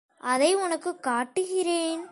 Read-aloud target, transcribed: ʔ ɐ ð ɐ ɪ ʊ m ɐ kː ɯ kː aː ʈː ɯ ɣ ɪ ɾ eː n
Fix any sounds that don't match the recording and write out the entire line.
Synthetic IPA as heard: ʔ ɐ ð ɐ ɪ ʊ n ɐ kː ɯ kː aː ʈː ɯ ɣ ɪ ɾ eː n